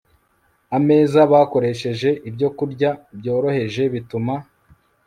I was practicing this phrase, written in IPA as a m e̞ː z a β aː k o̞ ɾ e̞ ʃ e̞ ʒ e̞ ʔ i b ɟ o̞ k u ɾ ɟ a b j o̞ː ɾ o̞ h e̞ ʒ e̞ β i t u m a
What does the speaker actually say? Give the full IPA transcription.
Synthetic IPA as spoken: a m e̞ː z a β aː k o̞ ɾ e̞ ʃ e̞ ʒ e̞ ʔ i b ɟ o̞ k u ɾ ɟ a b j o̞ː ɾ o̞ h e̞ ʒ e̞ β i t u m a